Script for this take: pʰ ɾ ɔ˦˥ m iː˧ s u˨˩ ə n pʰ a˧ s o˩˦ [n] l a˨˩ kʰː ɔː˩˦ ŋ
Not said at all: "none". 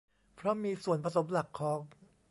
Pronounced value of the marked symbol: m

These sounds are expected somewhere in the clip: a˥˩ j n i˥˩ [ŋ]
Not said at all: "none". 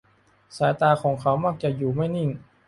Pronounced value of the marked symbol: ŋ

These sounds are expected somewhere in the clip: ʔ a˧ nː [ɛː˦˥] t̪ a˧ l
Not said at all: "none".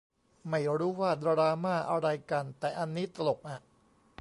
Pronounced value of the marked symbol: iː˦˥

